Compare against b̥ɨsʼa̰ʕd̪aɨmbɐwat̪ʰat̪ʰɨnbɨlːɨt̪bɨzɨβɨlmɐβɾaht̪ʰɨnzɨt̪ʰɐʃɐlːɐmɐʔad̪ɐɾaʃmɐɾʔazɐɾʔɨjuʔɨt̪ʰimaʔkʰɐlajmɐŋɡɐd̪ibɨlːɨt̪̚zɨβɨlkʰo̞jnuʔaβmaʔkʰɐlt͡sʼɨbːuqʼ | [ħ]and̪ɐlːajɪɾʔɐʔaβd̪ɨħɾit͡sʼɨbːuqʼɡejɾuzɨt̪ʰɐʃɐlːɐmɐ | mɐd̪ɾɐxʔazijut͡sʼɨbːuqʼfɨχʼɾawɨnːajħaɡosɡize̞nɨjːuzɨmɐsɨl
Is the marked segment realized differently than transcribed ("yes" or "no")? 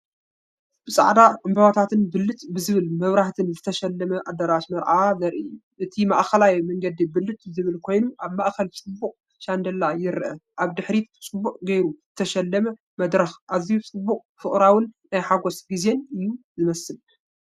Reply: yes